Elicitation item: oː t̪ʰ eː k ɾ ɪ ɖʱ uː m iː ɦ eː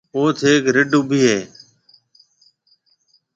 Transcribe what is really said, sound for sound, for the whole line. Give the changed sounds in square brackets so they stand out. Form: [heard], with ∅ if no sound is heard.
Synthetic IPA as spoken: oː t̪ʰ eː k ɾ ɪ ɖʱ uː [b] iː ɦ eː